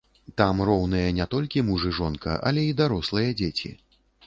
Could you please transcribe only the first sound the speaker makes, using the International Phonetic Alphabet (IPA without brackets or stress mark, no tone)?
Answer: t̪